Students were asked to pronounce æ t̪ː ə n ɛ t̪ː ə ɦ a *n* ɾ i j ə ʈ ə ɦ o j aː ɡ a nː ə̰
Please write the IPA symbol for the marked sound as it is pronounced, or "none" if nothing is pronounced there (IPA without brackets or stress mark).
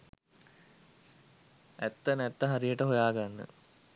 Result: none